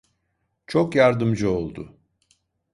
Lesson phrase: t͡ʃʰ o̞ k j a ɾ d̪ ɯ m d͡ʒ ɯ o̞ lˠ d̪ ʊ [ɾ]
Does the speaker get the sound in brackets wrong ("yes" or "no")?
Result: yes